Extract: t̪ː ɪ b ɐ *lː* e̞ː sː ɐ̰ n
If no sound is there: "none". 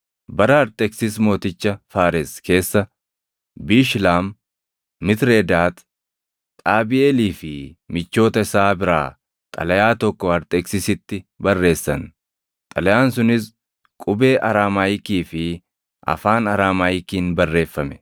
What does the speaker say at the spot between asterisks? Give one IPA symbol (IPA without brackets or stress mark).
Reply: rː